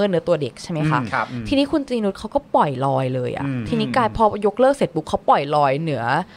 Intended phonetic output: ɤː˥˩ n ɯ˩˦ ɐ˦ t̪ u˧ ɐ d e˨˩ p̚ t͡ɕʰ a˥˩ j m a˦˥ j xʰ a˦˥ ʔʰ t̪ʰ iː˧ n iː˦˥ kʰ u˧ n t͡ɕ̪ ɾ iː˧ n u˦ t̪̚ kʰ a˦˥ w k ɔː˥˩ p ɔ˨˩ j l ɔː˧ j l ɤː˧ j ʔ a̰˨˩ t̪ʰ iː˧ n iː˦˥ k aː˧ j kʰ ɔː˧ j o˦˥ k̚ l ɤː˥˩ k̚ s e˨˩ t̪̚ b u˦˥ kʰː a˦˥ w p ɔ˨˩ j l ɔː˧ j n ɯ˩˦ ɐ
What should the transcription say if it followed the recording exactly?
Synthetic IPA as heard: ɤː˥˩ n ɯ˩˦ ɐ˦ t̪ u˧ ɐ d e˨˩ k̚ t͡ɕʰ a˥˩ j m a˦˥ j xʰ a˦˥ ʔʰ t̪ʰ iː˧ n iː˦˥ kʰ u˧ n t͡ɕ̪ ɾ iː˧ n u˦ t̪̚ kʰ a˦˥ w k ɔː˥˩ p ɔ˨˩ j l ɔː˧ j l ɤː˧ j ʔ a̰˨˩ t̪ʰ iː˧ n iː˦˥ k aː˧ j pʰ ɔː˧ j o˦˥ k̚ l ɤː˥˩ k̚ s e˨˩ t̪̚ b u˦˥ kʰː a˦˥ w p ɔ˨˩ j l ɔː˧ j n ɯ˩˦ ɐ